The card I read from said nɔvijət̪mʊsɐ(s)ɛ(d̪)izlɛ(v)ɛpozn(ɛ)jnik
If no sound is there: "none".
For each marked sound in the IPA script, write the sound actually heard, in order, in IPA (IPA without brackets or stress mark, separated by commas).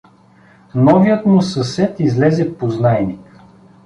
s, t̪, z, a